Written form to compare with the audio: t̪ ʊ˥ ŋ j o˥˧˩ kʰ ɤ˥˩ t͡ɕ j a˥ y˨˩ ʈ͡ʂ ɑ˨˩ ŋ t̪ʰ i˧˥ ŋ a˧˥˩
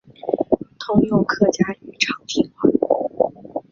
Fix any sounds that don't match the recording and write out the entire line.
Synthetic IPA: t̪ʰ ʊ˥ ŋ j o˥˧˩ kʰ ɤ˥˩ t͡ɕ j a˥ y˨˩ ʈ͡ʂʰ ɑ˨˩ ŋ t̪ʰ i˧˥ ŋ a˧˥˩